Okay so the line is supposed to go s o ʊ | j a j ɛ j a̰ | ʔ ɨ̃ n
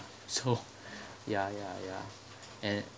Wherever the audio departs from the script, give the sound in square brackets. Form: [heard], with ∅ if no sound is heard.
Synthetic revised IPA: s o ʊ | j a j [a] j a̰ | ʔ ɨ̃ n